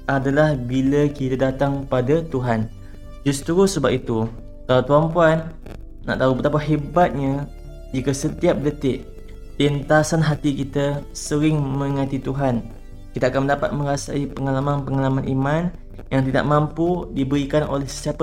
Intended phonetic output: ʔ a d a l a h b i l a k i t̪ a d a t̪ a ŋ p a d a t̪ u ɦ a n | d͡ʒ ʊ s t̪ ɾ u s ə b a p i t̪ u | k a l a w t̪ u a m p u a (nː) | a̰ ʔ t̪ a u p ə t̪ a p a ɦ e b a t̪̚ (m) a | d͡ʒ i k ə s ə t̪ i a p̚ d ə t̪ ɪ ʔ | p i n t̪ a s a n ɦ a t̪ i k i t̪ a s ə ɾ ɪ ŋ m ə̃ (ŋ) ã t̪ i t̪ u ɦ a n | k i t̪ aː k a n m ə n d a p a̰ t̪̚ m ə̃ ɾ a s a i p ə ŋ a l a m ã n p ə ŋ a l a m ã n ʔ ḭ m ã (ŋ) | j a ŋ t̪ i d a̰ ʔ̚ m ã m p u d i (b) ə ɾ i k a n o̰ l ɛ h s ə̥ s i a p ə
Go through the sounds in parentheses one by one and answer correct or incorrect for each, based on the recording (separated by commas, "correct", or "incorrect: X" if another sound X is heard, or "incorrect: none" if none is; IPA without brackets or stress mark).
correct, incorrect: ɲ, correct, incorrect: n, correct